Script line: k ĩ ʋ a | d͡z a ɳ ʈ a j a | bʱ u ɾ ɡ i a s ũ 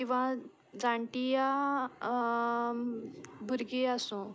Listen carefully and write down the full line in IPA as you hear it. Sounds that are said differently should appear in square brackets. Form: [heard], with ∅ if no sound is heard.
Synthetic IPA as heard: k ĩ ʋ a | d͡z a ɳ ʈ [i] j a | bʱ u ɾ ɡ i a s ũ